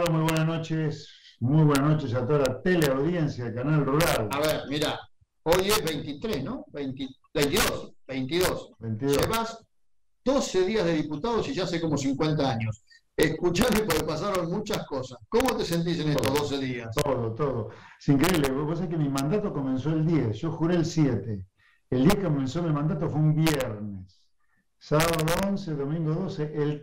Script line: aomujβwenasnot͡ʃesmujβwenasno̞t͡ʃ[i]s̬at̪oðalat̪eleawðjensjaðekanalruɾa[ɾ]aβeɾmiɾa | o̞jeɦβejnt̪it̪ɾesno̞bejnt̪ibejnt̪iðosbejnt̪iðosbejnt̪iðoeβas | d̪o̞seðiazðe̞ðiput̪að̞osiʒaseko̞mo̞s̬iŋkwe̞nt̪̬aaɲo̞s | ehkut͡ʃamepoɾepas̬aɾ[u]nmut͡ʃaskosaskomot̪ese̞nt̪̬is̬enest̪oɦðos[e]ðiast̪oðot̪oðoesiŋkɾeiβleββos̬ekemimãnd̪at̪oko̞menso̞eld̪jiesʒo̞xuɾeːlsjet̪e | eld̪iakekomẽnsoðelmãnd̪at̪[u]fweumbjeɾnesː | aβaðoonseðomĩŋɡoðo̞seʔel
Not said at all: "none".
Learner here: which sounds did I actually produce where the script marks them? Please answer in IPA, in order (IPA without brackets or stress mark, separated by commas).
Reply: e, l, o, e, o